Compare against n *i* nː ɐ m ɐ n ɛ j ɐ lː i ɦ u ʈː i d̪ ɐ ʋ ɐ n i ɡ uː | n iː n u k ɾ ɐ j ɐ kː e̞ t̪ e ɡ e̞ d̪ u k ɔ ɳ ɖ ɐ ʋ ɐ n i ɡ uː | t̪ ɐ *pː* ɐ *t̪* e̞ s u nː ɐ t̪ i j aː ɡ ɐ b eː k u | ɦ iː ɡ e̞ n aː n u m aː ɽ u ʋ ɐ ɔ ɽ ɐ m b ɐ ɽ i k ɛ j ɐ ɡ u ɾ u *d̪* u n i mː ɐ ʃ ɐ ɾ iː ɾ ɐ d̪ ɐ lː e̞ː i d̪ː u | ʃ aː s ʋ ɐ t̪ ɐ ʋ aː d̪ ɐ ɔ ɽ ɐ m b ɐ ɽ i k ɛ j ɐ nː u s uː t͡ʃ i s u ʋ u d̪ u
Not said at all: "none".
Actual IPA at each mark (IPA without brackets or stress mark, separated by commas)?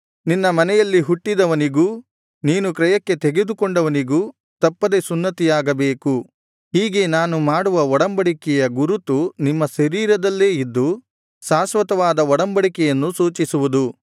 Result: i, pː, d̪, t̪